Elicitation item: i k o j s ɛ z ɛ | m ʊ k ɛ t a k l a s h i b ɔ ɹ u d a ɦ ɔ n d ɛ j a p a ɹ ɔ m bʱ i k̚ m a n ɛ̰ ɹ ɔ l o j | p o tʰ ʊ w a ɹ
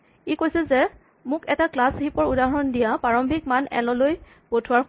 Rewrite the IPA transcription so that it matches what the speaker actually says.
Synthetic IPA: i k o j s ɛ z ɛ | m ʊ k ɛ t a k l a s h i p ɔ ɹ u d a ɦ ɔ n d i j a p a ɹ ɔ m bʱ i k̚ m a n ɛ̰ l ɔ l o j | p o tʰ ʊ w a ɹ